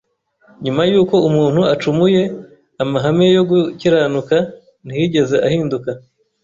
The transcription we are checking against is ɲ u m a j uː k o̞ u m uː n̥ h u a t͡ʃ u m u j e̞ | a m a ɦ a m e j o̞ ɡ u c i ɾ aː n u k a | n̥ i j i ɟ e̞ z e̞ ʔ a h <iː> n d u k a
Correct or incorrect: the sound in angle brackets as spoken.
correct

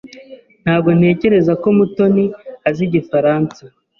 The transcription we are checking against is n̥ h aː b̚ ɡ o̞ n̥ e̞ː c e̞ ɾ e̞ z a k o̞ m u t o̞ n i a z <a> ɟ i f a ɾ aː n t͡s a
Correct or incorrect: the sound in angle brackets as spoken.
incorrect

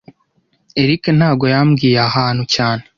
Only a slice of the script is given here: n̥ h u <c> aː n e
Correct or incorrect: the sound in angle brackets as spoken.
correct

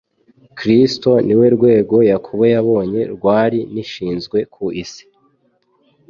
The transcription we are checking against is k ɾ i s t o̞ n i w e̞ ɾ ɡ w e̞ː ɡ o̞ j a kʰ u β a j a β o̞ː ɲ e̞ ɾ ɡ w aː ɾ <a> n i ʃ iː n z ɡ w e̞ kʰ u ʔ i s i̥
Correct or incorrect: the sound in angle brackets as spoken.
incorrect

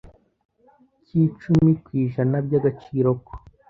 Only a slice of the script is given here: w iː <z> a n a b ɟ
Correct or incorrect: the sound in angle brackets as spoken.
incorrect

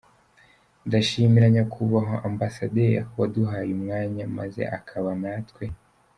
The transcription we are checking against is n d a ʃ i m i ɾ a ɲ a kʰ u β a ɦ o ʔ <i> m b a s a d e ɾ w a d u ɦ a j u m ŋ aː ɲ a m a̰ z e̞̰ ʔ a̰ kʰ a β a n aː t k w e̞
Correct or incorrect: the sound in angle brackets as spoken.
incorrect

